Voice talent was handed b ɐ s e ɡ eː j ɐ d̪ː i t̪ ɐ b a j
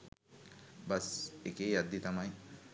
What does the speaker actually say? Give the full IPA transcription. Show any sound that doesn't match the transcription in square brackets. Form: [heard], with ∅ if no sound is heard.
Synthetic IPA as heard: b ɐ s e [k] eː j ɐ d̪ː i t̪ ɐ [m] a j